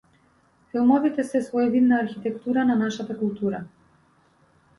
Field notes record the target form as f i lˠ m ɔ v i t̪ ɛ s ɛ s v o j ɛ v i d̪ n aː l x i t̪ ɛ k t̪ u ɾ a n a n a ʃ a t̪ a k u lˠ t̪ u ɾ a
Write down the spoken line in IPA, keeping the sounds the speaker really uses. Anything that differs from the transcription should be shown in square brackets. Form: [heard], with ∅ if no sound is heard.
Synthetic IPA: f i lˠ m ɔ v i t̪ ɛ s ɛ s v [ɔ] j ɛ v i d̪ n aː [ɾ] x i t̪ ɛ k t̪ u ɾ a n a n a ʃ a t̪ a k u lˠ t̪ u ɾ a